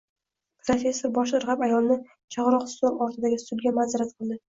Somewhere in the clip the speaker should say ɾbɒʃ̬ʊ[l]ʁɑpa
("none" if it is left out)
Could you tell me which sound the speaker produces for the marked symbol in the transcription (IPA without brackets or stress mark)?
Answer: ɾ